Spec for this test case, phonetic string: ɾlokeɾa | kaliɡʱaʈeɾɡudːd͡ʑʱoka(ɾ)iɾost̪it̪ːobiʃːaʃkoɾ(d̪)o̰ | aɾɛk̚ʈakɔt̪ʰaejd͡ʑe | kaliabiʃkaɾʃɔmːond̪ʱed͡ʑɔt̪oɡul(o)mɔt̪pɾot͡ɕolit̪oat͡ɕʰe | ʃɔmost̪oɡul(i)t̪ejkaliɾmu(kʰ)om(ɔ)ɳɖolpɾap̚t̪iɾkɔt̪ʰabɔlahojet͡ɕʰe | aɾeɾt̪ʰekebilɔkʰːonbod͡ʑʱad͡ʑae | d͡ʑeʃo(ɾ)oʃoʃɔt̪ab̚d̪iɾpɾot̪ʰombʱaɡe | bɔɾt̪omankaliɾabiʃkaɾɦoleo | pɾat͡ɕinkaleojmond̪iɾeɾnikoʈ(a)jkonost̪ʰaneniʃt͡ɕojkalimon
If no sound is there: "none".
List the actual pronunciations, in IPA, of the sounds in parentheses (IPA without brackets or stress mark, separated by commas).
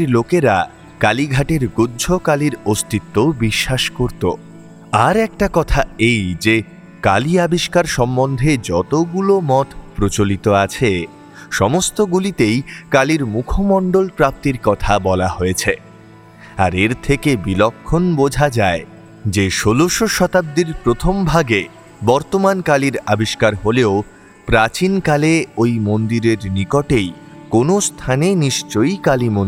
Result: l, t̪, o, i, kʰ, ɔ, l, e